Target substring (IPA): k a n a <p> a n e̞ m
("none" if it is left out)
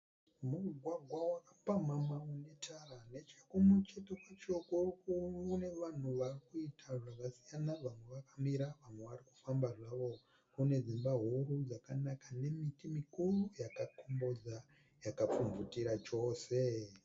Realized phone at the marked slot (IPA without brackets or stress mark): k